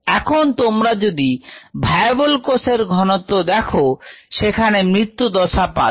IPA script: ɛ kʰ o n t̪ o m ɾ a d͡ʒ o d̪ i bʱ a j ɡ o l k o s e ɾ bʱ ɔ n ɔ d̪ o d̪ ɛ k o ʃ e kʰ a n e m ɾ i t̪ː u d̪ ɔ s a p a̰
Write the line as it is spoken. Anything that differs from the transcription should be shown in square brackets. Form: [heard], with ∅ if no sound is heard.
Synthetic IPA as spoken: ɛ kʰ o n t̪ o m ɾ a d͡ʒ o d̪ i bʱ a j [b] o l k o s e ɾ [ɡʱ] ɔ n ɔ [t̪] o d̪ ɛ [kʰ] o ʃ e kʰ a n e m ɾ i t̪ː u d̪ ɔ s a p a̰